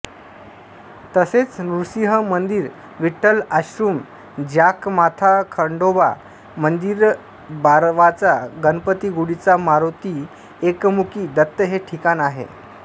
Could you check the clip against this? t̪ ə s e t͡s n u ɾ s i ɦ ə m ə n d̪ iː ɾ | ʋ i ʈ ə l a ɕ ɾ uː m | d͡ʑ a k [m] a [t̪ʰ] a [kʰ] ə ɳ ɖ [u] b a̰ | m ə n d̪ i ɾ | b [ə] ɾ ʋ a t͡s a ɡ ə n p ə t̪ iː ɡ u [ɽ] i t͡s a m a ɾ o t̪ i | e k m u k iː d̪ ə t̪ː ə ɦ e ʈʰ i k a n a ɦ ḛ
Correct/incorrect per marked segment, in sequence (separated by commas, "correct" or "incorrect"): correct, correct, correct, incorrect, incorrect, correct